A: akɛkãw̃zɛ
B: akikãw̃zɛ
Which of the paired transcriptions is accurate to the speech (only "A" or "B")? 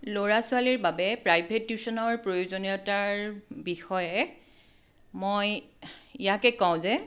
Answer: A